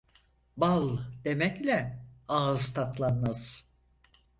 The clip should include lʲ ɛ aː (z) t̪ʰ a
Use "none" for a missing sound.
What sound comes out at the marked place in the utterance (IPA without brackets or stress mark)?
z